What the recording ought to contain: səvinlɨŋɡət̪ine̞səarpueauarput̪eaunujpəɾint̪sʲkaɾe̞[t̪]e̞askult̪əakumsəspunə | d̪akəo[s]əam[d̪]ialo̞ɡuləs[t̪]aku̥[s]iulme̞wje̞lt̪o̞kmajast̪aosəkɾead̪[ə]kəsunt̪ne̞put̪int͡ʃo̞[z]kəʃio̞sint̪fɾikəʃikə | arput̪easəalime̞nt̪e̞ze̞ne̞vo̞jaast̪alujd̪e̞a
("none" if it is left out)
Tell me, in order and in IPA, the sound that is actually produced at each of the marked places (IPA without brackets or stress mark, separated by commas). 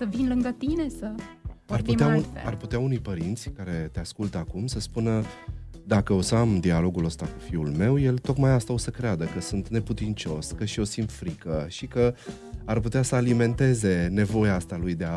t̪, s, d̪, t̪, f, ə, s